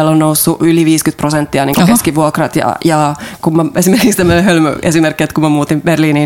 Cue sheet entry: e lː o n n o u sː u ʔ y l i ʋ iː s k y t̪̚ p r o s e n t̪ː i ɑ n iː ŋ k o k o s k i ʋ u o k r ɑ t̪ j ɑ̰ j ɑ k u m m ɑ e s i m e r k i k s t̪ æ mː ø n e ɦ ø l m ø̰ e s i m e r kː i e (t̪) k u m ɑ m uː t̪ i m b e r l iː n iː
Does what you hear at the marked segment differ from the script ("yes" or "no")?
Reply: no